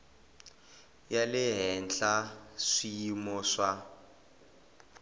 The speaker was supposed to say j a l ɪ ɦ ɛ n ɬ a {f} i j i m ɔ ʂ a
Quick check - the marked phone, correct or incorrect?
incorrect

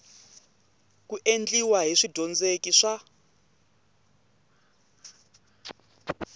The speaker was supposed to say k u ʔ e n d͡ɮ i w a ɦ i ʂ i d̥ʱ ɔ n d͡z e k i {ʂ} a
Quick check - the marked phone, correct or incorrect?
correct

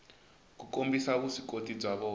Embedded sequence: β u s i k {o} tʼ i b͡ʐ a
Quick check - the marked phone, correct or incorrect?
correct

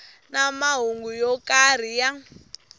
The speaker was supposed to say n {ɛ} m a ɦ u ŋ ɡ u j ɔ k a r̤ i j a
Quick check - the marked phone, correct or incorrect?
incorrect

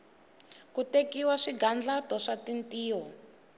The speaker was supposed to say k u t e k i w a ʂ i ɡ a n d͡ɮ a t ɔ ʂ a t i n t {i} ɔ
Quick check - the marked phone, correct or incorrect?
incorrect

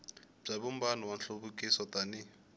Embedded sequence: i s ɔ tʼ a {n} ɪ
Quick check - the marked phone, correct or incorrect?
correct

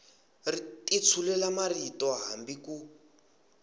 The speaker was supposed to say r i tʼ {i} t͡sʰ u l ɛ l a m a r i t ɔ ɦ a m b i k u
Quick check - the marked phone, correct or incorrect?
correct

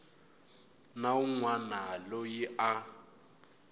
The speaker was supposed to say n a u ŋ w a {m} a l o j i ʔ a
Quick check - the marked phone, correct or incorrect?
incorrect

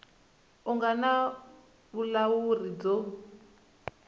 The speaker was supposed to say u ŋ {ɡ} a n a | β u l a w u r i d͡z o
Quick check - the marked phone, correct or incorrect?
correct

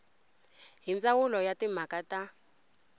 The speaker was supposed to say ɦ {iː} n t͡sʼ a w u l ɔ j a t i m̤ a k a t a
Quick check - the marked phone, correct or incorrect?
incorrect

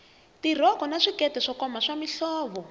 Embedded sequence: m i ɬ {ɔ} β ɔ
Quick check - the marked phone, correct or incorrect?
incorrect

